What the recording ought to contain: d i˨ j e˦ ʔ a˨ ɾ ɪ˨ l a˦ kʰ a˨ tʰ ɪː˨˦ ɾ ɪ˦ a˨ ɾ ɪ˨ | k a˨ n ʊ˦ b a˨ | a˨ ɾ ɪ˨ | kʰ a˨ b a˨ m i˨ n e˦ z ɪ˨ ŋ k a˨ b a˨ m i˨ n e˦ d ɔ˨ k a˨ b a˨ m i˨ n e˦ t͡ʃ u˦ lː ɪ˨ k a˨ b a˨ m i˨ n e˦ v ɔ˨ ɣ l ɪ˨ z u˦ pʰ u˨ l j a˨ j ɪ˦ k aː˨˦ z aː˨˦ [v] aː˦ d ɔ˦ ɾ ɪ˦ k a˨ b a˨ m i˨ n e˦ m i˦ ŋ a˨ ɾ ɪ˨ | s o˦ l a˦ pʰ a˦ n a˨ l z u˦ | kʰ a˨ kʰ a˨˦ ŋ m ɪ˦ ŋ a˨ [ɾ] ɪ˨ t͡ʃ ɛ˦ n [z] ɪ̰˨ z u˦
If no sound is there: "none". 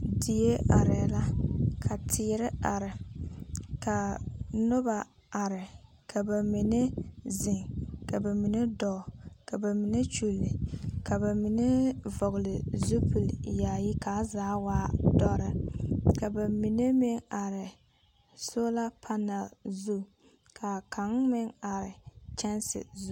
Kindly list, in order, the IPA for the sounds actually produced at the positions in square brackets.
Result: w, ɾ, s

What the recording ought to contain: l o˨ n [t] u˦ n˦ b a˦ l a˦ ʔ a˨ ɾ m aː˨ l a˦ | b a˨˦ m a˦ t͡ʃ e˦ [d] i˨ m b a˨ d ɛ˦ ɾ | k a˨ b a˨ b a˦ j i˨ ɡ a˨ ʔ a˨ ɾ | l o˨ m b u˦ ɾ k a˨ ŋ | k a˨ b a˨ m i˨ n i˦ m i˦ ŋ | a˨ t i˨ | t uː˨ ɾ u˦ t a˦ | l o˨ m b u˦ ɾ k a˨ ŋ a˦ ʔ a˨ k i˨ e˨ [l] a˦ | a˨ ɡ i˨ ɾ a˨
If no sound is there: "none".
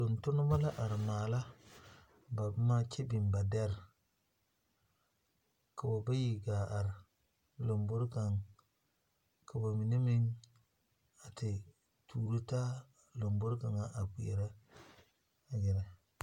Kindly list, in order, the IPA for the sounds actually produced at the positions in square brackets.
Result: t, b, ɾ

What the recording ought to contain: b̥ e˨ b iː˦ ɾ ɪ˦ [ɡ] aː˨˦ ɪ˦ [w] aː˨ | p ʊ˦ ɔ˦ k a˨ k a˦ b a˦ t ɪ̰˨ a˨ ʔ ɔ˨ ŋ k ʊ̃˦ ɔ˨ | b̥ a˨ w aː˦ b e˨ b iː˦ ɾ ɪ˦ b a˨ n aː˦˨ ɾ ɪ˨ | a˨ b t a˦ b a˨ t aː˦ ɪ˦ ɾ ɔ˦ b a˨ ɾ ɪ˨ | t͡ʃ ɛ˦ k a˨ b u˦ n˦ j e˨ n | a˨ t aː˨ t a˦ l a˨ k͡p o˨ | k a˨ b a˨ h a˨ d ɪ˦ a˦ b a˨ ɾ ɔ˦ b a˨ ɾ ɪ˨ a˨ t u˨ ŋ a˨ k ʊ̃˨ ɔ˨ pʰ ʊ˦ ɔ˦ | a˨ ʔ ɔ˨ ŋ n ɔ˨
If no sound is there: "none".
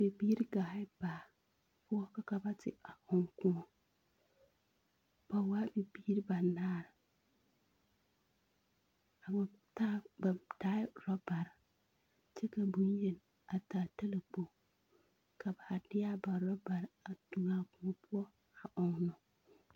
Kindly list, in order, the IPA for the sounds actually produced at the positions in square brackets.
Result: ɡ, b

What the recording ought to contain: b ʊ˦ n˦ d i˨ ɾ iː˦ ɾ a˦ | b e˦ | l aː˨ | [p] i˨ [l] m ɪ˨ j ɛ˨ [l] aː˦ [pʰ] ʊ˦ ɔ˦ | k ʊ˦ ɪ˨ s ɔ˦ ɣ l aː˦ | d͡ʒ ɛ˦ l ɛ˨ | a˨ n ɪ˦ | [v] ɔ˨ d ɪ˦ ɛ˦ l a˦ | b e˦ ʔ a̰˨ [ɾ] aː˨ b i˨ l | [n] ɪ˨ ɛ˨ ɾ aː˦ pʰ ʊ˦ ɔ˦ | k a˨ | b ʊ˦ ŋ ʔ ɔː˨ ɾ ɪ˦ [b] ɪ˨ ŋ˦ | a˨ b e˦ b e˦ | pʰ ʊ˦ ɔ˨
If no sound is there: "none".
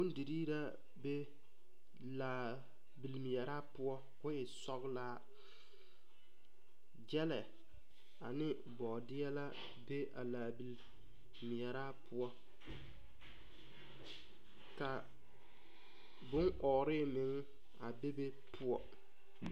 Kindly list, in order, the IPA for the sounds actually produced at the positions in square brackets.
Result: b, l, ɾ, p, b, l, m, m

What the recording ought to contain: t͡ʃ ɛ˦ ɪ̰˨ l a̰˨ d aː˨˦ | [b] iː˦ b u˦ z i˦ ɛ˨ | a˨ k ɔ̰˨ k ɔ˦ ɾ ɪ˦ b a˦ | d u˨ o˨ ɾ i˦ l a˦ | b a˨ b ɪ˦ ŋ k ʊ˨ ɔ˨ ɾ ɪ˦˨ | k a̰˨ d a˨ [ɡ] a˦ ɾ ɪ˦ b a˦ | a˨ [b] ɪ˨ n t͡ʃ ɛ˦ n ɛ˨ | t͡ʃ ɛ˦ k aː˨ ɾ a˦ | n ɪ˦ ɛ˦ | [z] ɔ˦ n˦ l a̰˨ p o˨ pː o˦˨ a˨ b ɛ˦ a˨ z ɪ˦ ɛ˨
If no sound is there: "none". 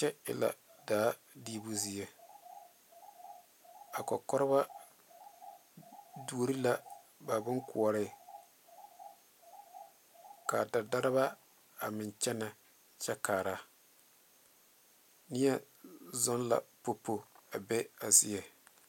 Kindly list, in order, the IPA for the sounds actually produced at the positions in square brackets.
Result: d, d, m, z

